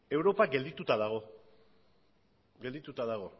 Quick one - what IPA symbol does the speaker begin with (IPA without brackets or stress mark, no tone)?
e̞